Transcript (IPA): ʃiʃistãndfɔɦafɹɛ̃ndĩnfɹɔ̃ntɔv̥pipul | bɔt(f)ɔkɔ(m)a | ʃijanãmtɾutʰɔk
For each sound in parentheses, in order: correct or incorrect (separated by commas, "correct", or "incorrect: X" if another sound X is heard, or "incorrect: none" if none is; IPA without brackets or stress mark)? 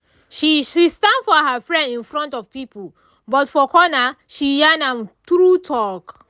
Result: correct, incorrect: n